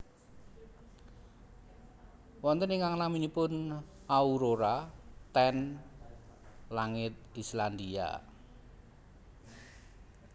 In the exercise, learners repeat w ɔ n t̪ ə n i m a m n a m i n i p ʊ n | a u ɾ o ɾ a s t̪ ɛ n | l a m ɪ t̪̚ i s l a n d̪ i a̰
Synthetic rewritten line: w ɔ n t̪ ə n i ŋ a ŋ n a m i n i p ʊ n | a u ɾ o ɾ a t̪ ɛ n | l a ŋ ɪ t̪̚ i s l a n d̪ i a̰